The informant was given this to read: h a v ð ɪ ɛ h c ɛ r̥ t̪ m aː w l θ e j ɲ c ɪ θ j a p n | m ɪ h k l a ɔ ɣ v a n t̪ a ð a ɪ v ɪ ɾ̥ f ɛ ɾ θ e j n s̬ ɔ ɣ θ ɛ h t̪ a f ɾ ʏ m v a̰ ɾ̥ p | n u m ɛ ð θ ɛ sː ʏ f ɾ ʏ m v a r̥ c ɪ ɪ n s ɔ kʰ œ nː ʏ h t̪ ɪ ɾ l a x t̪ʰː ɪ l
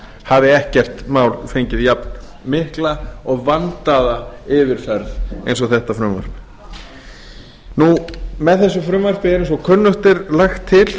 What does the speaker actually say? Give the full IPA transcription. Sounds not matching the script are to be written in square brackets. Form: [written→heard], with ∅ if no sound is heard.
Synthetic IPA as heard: h a v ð ɪ ɛ h c ɛ r̥ t̪ m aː w l [θ→f] e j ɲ c ɪ [θ→ð] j a p n | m ɪ h k l a ɔ ɣ v a n t̪ a ð a ɪ v ɪ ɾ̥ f ɛ ɾ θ e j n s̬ ɔ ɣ θ ɛ h t̪ a f ɾ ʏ m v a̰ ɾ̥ p | n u m ɛ ð θ ɛ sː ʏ f ɾ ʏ m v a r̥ [c→p] ɪ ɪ n s ɔ kʰ œ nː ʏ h t̪ ɪ ɾ l a x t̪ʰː ɪ l